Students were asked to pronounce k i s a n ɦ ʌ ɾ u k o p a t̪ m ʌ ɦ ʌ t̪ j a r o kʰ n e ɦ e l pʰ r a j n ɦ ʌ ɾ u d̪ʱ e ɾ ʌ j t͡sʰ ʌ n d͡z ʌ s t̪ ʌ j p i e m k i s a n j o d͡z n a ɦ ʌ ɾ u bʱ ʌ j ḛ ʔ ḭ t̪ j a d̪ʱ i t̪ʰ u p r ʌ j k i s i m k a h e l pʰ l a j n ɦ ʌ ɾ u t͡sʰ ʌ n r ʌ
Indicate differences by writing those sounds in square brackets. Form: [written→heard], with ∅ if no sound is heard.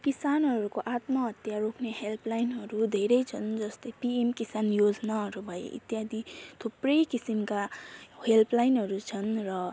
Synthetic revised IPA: k i s a n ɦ ʌ ɾ u k o [p→ʔ] a t̪ m ʌ ɦ ʌ t̪ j a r o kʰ n e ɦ e l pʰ [r→l] a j n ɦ ʌ ɾ u d̪ʱ e ɾ ʌ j t͡sʰ ʌ n d͡z ʌ s t̪ ʌ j p i e m k i s a n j o d͡z n a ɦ ʌ ɾ u bʱ ʌ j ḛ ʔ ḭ t̪ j a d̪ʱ i t̪ʰ u p r ʌ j k i s i m k a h e l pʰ l a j n ɦ ʌ ɾ u t͡sʰ ʌ n r ʌ